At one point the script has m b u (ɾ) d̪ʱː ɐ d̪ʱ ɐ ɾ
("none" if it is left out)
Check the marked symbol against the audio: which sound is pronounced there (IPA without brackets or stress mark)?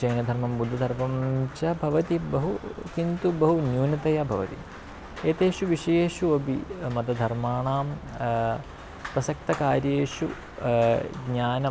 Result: none